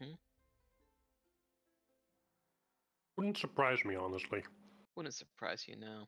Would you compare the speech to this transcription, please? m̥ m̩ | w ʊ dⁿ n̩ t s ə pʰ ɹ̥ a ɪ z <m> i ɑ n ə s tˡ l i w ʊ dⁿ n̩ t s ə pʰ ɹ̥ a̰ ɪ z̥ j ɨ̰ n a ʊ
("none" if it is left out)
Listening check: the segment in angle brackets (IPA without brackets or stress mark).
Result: m